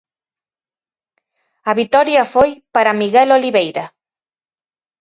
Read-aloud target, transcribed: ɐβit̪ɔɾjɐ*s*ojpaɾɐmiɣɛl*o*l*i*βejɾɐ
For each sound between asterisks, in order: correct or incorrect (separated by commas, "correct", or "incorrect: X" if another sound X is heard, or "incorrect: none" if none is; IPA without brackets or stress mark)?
incorrect: f, correct, correct